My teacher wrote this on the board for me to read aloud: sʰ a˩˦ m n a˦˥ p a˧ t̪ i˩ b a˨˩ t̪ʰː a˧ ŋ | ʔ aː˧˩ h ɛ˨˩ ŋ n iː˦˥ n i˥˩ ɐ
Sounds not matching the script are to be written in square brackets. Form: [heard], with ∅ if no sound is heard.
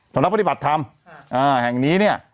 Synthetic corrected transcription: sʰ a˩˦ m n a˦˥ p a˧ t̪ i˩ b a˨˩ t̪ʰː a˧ [m] | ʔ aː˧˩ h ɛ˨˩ ŋ n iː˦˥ n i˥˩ ɐ